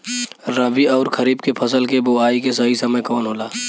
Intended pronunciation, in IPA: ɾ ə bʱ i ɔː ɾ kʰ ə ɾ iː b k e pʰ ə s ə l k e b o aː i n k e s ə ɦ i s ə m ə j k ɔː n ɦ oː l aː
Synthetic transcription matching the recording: ɾ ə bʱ i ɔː ɾ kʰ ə ɾ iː b k e pʰ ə s ə l k e b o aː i k e s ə ɦ i s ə m ə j k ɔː n ɦ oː l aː

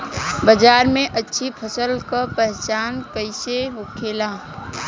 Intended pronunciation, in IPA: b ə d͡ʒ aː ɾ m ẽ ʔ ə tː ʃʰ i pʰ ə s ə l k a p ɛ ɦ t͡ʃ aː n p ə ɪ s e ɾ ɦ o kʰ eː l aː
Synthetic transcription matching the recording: b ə d͡ʒ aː ɾ m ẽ ʔ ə tː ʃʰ i pʰ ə s ə l k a p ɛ ɦ t͡ʃ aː n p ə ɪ s e ɦ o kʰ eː l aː

